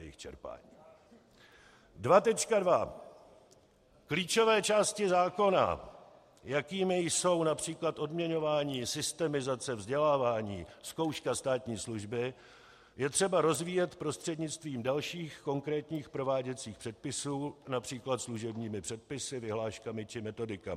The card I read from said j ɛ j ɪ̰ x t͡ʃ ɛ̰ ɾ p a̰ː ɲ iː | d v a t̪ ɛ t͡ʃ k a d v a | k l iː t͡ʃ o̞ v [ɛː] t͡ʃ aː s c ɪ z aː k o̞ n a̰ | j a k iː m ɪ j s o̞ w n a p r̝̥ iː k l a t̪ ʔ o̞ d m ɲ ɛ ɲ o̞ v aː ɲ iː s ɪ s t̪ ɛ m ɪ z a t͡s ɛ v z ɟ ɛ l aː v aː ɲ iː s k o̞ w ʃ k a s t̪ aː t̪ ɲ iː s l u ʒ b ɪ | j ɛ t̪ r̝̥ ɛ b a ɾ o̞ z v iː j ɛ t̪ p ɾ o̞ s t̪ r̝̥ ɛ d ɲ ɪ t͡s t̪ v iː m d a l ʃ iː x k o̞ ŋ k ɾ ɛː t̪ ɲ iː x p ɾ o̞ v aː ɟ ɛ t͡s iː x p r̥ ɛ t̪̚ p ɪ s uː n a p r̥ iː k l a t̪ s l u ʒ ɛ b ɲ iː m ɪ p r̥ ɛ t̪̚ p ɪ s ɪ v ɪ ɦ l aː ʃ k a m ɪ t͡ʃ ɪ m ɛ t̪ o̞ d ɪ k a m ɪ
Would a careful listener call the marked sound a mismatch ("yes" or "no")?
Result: no